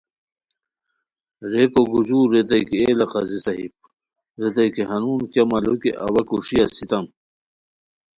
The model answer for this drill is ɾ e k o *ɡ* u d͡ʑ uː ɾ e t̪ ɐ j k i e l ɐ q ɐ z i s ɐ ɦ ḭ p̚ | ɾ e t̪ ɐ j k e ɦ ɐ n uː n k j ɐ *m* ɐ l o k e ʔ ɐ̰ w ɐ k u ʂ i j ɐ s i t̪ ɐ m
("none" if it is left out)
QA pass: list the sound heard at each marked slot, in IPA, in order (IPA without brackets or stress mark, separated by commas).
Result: ɡ, m